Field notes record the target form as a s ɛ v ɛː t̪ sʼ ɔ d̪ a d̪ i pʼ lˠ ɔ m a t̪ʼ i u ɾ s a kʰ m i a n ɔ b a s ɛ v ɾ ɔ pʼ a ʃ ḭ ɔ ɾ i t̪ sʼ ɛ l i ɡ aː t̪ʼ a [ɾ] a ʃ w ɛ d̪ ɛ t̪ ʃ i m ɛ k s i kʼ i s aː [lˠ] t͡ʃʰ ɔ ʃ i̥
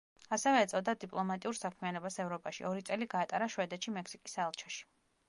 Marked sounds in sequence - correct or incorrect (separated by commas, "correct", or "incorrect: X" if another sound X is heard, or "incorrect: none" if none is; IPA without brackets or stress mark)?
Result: correct, correct